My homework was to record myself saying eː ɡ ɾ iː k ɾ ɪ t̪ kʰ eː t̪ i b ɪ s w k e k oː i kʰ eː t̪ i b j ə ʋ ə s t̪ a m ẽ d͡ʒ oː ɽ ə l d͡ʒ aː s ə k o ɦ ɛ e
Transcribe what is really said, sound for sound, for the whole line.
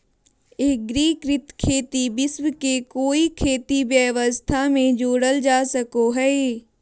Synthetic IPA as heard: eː ɡ ɾ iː k ɾ ɪ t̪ kʰ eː t̪ i b ɪ s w k e k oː i kʰ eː t̪ i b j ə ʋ ə s t̪ʰ a m ẽ d͡ʒ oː ɽ ə l d͡ʒ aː s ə k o ɦ ɛ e